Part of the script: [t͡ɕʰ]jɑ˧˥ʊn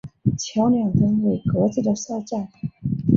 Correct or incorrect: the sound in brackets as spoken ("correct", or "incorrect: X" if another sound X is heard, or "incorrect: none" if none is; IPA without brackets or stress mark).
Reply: correct